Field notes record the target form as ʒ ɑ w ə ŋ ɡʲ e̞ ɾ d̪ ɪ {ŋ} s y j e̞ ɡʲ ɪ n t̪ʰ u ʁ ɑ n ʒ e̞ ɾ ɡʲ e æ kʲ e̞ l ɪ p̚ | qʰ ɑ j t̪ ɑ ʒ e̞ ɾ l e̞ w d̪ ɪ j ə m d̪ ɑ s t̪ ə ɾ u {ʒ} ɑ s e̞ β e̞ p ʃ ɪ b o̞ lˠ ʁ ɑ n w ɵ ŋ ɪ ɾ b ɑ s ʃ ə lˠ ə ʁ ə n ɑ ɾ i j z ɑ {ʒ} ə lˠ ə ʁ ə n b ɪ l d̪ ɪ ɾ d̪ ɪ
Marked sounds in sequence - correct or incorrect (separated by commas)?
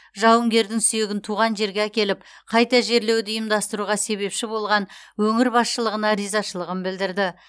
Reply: correct, incorrect, incorrect